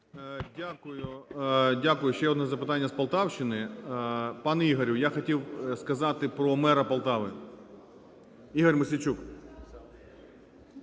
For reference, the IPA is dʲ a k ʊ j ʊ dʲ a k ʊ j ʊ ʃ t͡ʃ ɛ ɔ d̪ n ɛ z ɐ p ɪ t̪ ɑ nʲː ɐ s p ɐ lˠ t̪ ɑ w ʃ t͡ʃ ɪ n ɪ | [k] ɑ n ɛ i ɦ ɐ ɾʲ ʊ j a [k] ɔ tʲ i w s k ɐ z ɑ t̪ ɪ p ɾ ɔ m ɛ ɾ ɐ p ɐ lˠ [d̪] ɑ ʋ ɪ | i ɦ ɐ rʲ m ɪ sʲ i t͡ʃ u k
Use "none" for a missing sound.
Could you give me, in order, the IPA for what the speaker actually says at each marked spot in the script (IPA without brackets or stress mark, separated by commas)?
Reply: p, x, t̪